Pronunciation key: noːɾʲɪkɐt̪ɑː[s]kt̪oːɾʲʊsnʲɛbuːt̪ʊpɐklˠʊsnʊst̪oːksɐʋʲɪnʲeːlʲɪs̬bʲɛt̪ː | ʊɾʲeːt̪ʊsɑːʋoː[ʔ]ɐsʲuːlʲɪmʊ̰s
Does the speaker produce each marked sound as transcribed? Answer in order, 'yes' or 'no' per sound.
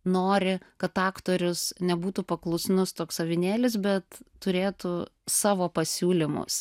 no, no

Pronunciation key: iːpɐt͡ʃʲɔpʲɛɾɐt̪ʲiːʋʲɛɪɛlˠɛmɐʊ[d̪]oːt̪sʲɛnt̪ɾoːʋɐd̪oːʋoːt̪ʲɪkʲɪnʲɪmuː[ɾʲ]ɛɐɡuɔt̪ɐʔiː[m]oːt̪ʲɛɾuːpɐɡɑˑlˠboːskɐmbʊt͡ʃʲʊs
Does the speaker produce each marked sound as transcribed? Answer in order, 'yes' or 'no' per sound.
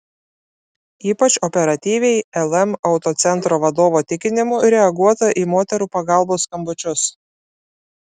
no, yes, yes

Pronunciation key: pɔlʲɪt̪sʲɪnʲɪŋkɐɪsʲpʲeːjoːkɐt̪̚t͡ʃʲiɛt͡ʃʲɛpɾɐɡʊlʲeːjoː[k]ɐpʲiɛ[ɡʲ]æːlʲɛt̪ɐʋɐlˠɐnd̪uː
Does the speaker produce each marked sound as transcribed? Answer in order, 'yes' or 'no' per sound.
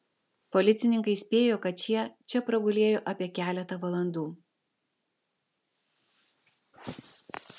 no, no

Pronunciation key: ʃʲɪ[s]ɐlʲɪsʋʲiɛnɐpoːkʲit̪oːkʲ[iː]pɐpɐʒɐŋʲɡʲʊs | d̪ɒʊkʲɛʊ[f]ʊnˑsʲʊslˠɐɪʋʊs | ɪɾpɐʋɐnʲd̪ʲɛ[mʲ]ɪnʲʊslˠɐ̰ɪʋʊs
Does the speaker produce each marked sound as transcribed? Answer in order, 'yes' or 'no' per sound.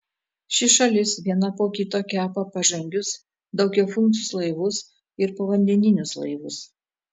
no, no, yes, no

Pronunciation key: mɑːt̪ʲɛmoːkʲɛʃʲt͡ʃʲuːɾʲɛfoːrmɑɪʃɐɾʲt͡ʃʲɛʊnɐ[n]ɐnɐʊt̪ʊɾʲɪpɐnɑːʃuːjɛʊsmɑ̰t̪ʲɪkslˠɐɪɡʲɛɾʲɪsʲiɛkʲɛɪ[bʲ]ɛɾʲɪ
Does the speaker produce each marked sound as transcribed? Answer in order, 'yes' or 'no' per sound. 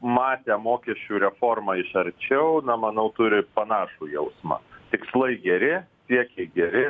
no, no

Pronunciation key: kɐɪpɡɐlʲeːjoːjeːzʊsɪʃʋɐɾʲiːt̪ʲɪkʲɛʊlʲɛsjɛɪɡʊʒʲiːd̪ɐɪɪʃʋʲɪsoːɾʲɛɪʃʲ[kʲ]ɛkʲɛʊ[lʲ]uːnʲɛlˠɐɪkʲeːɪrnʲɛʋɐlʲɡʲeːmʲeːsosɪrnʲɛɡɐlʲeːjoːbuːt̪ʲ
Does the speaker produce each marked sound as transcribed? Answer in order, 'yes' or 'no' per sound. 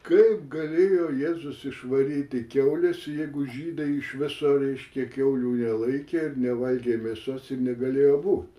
yes, yes

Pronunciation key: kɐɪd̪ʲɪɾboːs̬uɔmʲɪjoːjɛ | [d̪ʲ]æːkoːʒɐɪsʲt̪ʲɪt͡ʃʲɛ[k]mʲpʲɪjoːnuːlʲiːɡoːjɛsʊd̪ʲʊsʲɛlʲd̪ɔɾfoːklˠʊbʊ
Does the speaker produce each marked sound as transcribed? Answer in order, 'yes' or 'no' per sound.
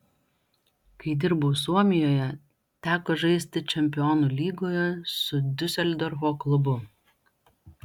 no, no

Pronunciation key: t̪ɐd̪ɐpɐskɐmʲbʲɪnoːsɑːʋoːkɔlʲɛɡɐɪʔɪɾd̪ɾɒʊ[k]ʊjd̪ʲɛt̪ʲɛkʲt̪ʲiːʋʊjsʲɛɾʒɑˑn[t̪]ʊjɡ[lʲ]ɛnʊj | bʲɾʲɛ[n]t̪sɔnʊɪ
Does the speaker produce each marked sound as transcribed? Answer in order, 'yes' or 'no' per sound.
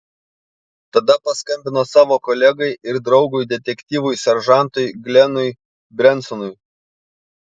no, yes, yes, yes

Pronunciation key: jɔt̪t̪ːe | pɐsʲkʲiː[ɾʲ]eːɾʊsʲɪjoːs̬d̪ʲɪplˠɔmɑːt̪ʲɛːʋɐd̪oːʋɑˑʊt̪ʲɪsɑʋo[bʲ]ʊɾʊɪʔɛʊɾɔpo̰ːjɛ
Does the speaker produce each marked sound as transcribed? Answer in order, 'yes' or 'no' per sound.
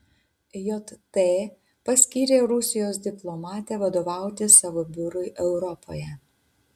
yes, yes

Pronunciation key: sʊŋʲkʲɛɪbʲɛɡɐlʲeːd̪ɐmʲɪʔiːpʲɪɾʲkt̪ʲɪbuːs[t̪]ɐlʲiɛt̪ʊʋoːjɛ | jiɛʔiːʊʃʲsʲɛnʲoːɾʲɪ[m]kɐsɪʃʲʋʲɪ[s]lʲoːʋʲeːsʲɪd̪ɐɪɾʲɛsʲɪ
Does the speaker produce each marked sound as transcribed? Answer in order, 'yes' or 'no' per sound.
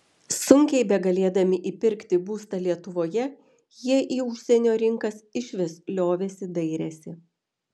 yes, no, yes

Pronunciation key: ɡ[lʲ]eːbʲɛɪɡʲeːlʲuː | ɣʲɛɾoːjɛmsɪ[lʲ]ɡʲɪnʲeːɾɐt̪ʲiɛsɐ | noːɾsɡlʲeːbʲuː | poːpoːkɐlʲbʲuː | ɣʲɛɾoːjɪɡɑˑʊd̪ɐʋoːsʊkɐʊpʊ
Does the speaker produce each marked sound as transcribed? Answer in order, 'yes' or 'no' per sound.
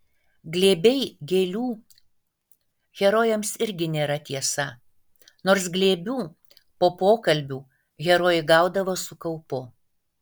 yes, no

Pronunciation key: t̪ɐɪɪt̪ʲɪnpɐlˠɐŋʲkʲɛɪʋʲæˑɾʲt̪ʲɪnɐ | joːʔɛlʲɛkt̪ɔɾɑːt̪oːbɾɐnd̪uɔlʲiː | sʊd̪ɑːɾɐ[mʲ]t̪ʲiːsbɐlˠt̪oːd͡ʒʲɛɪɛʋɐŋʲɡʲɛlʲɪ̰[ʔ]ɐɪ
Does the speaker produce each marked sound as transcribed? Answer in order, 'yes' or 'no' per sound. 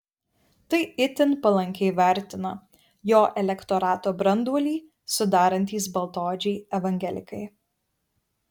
no, no

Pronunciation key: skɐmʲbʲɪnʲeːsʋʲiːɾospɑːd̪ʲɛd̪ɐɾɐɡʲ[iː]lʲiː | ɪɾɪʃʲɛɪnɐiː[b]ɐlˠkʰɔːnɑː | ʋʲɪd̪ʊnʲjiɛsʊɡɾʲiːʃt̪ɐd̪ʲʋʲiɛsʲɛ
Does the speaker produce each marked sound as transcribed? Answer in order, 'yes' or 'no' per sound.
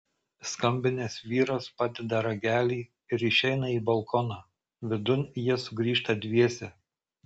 no, yes

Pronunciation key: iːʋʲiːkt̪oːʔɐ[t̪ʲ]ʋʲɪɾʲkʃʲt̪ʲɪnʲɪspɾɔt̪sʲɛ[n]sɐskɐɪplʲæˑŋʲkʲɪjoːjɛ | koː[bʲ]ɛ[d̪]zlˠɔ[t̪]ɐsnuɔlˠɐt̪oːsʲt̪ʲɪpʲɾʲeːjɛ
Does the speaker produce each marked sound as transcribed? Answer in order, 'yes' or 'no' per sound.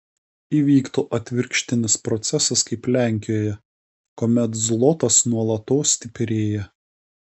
yes, no, no, no, yes

